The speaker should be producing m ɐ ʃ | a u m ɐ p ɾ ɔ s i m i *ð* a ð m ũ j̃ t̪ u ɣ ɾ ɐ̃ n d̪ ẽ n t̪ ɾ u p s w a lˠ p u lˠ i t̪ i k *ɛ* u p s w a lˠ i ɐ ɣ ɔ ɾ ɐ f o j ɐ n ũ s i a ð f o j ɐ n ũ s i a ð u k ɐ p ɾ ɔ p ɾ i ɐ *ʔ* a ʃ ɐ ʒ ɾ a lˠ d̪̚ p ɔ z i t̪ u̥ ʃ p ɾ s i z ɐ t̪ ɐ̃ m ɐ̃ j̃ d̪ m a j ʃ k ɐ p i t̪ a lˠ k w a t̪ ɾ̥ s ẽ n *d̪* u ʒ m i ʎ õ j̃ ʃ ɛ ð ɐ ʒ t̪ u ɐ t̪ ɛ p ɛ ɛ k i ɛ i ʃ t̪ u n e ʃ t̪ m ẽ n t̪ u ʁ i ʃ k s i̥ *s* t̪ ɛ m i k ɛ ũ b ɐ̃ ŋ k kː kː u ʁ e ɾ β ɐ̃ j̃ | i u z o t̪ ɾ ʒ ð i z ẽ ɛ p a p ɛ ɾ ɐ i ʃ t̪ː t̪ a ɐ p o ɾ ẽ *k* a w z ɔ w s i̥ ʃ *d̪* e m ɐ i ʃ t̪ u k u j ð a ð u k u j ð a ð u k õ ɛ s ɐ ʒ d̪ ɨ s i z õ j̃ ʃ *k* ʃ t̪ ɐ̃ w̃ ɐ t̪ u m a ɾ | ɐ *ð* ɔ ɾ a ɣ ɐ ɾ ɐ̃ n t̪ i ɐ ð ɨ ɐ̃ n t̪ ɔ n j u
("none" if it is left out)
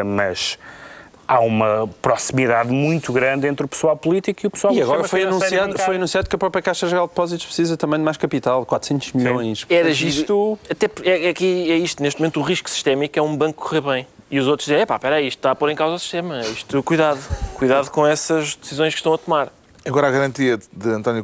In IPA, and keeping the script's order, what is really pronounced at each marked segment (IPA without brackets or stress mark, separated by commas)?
ð, i, k, t̪, ʃ, k, t̪, k, ɣ